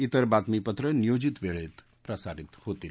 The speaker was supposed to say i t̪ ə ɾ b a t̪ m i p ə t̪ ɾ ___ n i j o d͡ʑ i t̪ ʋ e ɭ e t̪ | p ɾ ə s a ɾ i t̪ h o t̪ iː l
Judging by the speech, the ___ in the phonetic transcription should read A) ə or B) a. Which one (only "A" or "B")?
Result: A